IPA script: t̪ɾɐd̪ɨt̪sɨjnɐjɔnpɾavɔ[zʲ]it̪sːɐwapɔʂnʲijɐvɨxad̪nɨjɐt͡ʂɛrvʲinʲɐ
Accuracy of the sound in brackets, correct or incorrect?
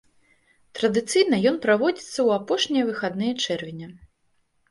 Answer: incorrect